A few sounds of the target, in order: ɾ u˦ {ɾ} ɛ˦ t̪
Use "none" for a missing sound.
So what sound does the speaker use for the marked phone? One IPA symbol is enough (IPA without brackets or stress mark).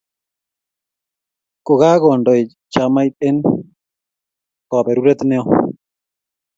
ɾ